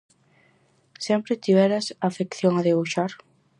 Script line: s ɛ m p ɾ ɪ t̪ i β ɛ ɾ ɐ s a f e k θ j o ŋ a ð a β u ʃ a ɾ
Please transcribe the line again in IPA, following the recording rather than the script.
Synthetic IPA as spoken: s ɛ m p ɾ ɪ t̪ i β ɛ ɾ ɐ s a f e k θ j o ŋ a ð e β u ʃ a ɾ